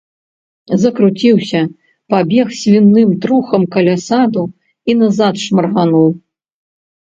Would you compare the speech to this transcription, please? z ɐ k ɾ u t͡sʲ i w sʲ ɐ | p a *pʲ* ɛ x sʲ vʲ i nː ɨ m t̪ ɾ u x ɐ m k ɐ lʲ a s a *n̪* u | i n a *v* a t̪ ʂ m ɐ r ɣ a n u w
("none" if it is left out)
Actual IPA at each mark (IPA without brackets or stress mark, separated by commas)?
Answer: bʲ, d̪, z